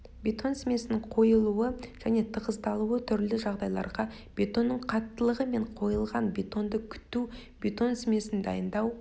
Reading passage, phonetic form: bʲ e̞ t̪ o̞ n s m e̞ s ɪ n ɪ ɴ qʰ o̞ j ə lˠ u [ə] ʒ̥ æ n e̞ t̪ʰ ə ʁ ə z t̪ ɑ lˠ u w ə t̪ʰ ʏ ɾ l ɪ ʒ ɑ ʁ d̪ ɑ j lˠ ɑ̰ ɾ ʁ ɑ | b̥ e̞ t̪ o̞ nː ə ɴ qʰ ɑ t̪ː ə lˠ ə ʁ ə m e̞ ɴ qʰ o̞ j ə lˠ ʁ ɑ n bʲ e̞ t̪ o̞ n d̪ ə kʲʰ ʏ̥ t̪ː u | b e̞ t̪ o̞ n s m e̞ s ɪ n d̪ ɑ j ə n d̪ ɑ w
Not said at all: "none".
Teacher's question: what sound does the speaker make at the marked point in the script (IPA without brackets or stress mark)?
ə